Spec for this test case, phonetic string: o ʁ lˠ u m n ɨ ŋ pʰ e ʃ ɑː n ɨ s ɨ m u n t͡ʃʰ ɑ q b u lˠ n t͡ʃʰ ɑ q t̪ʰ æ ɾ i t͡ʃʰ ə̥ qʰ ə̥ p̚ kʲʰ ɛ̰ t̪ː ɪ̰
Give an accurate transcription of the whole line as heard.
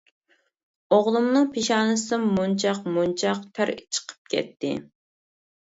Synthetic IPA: o ʁ lˠ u m n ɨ ŋ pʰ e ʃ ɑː n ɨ s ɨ m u n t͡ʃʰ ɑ q m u n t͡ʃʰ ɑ q t̪ʰ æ ɾ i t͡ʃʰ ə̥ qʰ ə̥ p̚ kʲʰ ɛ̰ t̪ː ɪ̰